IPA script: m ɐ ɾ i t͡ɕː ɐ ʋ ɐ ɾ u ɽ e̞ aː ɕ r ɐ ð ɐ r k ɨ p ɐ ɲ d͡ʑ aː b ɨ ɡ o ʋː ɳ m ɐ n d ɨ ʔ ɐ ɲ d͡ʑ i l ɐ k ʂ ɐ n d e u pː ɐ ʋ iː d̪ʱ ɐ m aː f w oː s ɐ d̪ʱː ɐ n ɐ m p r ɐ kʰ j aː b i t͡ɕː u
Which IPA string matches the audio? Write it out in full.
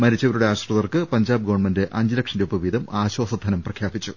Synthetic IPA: m ɐ ɾ i t͡ɕː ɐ ʋ ɐ ɾ u ɽ e̞ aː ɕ r ɐ ð ɐ r k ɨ p ɐ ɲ d͡ʑ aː b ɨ ɡ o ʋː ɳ m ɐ n d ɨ ʔ ɐ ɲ d͡ʑ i l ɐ k ʂ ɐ n d e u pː ɐ ʋ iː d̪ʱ ɐ m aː ɕ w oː s ɐ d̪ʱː ɐ n ɐ m p r ɐ kʰ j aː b i t͡ɕː u